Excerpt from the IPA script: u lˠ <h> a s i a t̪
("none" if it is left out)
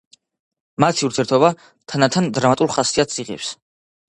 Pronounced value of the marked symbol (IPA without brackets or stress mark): χ